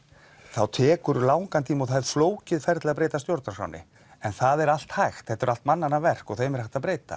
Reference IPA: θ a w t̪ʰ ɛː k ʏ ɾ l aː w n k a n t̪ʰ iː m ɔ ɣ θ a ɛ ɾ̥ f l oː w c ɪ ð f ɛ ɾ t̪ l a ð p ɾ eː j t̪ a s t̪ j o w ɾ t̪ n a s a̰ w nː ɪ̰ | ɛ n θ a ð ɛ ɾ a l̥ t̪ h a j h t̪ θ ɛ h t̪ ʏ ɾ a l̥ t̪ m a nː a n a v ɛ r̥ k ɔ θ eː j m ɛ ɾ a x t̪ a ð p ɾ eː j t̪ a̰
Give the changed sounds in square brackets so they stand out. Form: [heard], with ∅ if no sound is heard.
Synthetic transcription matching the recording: θ a w t̪ʰ ɛː k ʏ ɾ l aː w [ŋ] k a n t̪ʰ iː m ɔ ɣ θ a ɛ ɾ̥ f l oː w c ɪ ð f ɛ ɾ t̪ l a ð p ɾ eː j t̪ a s t̪ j o w ɾ t̪ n a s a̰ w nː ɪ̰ | ɛ n θ a ð ɛ ɾ a l̥ t̪ h a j [x] t̪ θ ɛ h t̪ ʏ ɾ a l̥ t̪ m a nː a n a v ɛ r̥ k ɔ θ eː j m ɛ ɾ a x t̪ a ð p ɾ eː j t̪ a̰